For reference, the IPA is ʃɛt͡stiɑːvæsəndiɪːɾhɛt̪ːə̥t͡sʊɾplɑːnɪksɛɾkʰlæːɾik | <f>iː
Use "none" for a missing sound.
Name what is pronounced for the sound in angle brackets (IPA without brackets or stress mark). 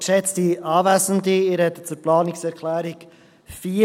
f